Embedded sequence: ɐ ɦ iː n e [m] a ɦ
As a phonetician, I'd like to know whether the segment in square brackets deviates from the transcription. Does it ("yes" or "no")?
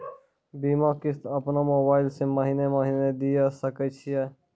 no